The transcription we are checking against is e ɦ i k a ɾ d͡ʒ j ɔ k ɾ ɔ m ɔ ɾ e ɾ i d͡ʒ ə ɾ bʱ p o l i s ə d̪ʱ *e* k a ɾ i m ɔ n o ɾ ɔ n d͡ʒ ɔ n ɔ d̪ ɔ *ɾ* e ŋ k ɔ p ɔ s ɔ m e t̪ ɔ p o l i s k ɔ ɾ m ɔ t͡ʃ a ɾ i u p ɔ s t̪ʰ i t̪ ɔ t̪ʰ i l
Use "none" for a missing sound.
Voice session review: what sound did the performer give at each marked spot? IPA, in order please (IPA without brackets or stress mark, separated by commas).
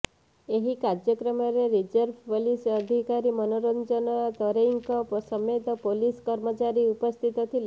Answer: i, ɾ